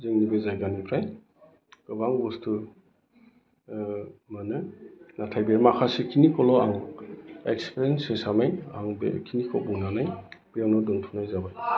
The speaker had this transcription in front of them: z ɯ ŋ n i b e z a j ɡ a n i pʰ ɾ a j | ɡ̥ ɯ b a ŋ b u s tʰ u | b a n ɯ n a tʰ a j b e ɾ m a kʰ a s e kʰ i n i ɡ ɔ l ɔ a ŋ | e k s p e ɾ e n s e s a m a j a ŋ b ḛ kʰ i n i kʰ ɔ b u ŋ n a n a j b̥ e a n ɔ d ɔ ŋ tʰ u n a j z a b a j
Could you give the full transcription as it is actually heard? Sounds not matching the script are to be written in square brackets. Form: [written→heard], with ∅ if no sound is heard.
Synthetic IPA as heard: z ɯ ŋ n i b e z a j ɡ a n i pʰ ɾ a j | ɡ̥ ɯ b a ŋ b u s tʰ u | [b→m] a n ɯ n a tʰ a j b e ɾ m a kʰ a s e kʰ i n i [ɡ→k] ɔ l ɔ a ŋ | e k s p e ɾ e n s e s a m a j a ŋ b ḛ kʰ i n i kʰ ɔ b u ŋ n a n a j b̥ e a n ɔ d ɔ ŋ tʰ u n a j z a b a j